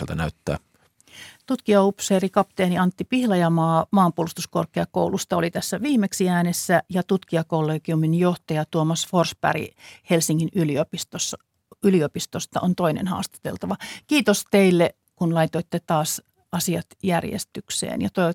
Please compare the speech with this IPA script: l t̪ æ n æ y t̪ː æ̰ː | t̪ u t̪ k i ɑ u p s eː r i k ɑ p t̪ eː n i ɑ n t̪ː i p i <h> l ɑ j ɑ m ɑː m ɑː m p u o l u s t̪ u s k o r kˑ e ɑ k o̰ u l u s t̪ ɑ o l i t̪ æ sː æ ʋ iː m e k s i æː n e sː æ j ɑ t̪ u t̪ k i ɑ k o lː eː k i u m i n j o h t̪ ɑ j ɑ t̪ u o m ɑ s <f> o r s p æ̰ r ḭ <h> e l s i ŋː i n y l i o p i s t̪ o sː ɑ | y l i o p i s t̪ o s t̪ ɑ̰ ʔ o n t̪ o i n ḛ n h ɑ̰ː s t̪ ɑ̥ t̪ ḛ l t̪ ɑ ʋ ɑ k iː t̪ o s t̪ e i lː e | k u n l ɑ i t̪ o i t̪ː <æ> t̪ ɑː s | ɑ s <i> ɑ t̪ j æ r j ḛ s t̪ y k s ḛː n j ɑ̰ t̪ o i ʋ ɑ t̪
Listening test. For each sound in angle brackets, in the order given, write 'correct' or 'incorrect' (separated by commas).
correct, correct, correct, incorrect, correct